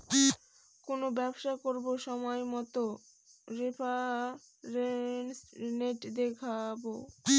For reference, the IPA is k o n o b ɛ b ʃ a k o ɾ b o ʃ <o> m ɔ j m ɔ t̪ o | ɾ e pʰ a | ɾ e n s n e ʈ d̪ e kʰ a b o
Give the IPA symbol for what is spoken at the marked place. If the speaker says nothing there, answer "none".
ɔ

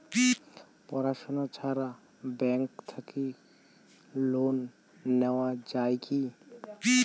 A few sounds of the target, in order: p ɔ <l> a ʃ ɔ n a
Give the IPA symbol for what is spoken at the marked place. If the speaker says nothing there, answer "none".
ɾ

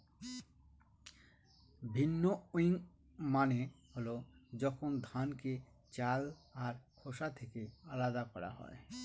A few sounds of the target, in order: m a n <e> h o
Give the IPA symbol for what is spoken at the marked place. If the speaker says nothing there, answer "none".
e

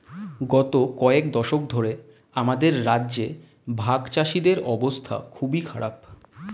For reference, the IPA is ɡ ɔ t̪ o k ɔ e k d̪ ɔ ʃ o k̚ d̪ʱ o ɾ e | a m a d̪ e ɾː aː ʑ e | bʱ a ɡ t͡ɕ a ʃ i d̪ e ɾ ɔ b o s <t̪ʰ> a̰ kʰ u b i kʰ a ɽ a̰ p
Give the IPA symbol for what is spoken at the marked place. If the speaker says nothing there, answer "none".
t̪ʰ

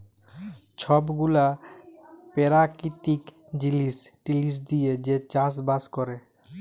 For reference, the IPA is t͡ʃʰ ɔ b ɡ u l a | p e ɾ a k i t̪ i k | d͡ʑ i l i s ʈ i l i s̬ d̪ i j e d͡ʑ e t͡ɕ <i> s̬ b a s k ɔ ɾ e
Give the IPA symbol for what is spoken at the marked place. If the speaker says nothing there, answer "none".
a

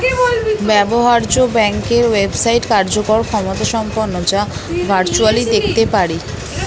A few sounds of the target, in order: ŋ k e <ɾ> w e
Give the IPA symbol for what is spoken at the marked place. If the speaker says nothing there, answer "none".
ɾ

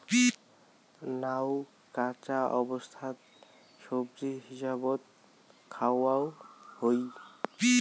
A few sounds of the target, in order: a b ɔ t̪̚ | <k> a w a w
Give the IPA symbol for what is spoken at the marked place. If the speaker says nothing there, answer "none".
kʰ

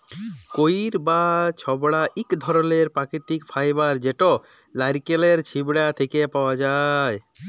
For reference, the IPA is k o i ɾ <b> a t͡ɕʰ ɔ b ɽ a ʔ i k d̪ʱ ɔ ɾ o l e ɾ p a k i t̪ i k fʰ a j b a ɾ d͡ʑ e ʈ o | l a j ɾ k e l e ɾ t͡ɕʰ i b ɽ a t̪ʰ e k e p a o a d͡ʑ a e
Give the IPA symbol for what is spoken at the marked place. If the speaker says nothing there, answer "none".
b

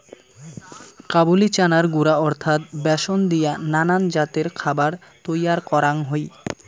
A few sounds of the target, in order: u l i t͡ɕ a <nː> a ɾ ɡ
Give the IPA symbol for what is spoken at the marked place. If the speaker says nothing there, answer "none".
n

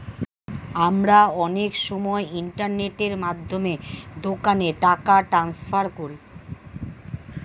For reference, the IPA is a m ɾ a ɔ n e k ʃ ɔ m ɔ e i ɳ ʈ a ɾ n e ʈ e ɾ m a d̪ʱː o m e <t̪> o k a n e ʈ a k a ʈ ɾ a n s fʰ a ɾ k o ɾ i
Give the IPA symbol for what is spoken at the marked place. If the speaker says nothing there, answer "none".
d̪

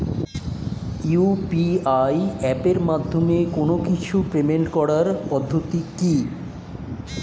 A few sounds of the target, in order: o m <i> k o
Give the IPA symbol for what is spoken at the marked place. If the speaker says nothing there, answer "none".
e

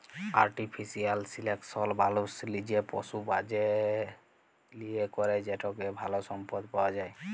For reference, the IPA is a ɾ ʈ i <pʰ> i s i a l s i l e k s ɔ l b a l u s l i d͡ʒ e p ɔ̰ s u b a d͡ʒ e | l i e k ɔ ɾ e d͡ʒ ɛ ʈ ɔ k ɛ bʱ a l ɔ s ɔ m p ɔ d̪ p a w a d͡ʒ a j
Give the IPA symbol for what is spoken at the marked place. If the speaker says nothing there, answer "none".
pʰ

